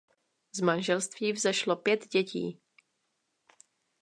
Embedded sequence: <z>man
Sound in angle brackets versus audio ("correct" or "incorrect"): correct